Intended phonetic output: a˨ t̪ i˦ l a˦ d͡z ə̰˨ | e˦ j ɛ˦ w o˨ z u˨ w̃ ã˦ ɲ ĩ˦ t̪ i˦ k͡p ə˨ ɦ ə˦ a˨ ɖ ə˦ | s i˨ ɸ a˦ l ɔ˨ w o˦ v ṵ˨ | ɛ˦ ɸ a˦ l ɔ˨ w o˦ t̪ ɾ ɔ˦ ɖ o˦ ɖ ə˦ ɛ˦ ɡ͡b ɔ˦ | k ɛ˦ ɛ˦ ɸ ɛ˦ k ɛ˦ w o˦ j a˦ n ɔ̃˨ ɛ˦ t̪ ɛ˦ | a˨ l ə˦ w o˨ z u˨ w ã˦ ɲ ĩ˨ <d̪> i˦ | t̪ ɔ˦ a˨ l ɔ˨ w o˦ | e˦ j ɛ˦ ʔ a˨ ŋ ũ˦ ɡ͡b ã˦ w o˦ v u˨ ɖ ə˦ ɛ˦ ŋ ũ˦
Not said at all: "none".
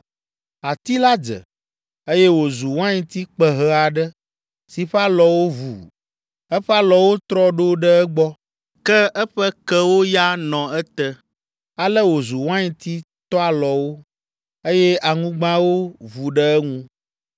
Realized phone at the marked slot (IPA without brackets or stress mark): t̪